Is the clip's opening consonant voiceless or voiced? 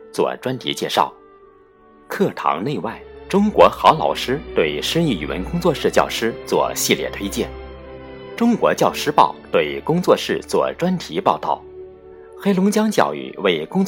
voiceless